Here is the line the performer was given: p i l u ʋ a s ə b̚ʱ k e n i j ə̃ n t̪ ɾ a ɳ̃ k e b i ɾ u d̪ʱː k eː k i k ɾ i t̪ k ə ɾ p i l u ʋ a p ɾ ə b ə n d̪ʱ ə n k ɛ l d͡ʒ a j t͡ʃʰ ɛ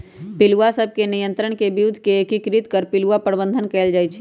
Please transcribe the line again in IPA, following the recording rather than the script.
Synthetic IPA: p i l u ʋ a s ə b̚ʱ k e n i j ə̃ n t̪ ɾ ə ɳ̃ k e b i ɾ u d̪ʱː k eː k i k ɾ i t̪ k ə ɾ p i l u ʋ a p ɾ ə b ə n d̪ʱ ə n k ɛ l d͡ʒ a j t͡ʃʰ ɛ